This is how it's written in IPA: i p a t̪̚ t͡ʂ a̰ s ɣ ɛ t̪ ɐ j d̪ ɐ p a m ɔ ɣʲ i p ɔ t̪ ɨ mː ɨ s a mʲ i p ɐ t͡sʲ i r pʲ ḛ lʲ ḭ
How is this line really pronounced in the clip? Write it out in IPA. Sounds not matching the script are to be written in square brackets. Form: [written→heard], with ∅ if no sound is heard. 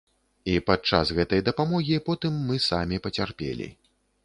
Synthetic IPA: i p a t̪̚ t͡ʂ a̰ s ɣ ɛ t̪ ɐ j d̪ ɐ p a m ɔ ɣʲ i p ɔ t̪ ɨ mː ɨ s a mʲ i p ɐ t͡sʲ [i→a] r pʲ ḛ lʲ ḭ